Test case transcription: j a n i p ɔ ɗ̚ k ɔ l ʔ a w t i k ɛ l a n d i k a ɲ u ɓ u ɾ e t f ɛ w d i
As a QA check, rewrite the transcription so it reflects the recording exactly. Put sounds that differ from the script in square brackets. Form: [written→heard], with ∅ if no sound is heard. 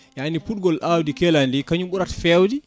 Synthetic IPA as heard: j a n i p [ɔ→u] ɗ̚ [k→ɡ] ɔ l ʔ a w [t→d] i k ɛ l a n d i k a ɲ u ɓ u ɾ [e→a] t f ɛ w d i